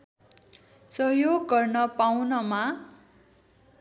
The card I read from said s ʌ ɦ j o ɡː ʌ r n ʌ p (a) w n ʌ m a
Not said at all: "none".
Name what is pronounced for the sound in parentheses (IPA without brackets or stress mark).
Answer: a